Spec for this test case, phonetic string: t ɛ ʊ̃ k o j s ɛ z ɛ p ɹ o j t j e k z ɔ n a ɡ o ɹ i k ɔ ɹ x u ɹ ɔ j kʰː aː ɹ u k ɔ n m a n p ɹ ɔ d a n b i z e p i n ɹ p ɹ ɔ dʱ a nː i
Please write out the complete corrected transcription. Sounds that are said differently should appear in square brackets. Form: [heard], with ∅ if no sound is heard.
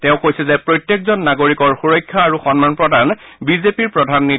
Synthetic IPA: t ɛ ʊ̃ k o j s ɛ z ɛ p ɹ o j t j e k z ɔ [nː] a ɡ o ɹ i k ɔ ɹ x u ɹ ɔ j kʰː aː ɹ u [x] ɔ n m a n p ɹ ɔ d a n b i z e p i [∅] ɹ p ɹ ɔ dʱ a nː i